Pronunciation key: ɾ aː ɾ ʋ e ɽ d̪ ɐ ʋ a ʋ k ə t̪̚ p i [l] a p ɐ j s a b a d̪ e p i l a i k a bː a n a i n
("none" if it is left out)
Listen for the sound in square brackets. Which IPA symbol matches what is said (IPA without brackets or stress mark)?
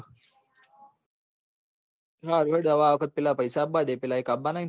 l